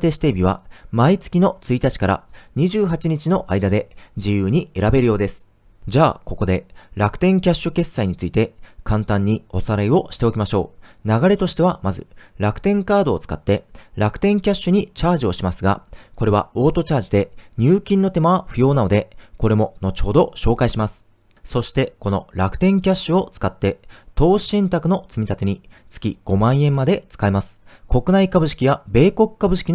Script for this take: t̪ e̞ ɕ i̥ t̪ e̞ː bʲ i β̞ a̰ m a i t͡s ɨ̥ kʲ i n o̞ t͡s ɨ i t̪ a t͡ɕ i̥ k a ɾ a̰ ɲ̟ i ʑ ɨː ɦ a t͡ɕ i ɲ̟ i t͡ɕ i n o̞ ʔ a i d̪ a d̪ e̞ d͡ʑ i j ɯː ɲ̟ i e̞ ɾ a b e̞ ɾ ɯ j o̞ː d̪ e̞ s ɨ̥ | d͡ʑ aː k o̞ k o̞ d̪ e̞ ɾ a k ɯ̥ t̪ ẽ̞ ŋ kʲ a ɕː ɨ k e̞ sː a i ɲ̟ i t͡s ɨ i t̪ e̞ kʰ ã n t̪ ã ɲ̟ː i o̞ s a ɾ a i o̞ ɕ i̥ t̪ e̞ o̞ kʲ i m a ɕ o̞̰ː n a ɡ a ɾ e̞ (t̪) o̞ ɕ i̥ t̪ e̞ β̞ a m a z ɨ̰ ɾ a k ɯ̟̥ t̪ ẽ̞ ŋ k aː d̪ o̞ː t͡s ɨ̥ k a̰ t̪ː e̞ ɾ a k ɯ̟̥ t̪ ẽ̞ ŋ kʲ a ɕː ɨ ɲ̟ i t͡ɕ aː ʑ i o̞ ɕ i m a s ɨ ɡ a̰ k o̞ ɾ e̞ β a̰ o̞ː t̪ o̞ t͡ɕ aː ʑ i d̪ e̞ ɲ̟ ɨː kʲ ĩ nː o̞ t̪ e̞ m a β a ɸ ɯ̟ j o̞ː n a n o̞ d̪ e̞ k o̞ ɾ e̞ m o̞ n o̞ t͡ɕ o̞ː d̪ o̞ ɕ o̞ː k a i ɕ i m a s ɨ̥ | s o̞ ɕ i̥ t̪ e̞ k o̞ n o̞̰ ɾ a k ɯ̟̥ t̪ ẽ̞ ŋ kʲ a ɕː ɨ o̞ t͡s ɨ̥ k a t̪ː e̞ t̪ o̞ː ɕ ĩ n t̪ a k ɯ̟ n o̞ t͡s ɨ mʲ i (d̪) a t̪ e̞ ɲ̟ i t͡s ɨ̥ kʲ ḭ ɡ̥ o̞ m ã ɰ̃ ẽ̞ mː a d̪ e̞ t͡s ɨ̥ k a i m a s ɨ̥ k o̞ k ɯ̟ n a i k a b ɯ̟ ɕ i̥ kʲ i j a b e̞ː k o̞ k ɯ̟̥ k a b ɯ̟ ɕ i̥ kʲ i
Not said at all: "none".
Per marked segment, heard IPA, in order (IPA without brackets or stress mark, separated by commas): t̪, t̪